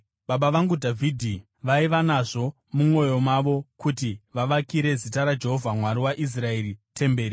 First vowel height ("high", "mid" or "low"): low